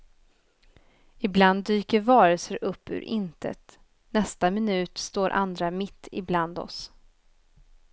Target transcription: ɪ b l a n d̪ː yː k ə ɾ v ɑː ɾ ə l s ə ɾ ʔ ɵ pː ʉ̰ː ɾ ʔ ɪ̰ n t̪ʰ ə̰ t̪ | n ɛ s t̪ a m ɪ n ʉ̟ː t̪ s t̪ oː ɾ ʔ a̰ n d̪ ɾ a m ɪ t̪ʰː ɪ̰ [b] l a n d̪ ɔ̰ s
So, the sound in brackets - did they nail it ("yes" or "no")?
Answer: yes